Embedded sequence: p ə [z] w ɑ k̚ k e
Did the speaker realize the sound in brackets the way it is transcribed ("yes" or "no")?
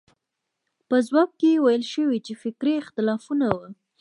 yes